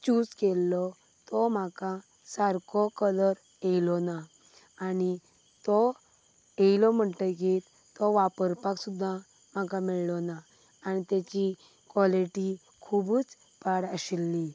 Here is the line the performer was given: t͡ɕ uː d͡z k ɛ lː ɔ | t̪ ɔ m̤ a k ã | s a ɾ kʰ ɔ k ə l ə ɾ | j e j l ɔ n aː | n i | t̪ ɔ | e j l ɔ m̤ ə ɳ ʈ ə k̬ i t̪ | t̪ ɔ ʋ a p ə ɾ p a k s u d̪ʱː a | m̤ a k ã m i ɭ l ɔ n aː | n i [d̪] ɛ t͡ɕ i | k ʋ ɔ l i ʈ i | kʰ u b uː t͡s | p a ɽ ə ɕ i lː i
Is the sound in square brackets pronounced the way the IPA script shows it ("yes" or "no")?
no